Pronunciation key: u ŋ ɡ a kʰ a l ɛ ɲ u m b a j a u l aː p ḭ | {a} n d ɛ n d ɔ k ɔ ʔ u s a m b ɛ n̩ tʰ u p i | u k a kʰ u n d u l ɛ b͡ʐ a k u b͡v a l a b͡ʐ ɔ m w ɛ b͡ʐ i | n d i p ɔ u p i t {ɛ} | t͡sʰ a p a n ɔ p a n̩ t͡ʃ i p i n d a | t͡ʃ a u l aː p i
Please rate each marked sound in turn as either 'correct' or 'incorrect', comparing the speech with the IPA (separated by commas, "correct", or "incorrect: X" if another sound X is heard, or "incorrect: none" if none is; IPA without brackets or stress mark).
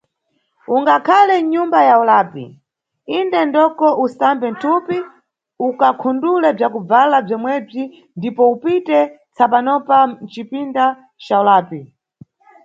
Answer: incorrect: i, correct